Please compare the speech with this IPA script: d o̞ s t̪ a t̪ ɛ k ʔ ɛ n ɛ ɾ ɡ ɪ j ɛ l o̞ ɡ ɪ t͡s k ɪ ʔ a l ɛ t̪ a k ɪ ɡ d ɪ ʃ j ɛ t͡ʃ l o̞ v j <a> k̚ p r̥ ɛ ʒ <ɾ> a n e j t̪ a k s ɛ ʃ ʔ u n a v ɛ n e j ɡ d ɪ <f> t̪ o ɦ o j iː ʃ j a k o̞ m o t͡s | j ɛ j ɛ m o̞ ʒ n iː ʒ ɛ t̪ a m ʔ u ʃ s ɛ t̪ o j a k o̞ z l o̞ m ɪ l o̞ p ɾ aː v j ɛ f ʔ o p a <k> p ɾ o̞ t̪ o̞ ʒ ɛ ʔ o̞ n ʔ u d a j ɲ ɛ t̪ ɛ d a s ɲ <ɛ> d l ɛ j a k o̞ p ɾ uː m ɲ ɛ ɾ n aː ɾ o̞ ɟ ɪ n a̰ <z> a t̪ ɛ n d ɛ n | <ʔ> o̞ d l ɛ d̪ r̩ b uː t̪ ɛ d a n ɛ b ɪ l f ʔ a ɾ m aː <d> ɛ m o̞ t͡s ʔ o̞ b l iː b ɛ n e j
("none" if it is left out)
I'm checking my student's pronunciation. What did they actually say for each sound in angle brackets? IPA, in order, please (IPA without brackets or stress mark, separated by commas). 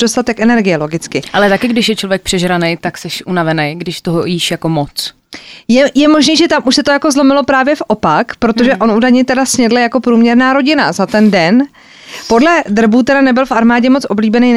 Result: ɛ, ɾ, ʃ, k, ɛ, z, p, ɟ